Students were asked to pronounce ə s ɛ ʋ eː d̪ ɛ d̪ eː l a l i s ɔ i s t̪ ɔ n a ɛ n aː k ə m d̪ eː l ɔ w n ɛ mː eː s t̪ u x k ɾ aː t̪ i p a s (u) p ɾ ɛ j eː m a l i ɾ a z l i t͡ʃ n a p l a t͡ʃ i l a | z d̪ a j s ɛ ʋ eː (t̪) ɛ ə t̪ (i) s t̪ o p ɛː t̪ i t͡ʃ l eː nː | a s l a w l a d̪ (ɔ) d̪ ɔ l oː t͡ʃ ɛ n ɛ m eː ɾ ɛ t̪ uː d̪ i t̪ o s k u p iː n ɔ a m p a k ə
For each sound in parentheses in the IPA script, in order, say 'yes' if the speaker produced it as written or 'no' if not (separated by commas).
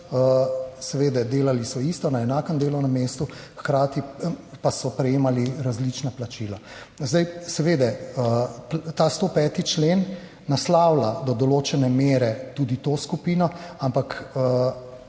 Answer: no, no, no, yes